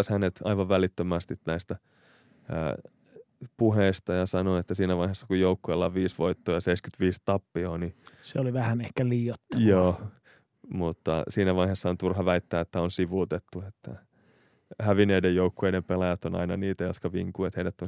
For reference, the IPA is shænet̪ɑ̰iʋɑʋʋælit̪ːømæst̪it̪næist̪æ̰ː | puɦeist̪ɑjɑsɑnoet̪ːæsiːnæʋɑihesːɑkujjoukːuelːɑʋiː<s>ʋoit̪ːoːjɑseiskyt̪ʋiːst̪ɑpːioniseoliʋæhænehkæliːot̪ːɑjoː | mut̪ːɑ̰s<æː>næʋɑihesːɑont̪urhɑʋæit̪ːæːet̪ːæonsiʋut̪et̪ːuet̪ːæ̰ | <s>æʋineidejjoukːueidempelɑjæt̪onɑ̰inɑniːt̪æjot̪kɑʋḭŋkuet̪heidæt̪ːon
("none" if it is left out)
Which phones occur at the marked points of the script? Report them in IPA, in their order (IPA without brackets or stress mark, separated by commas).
s, iː, h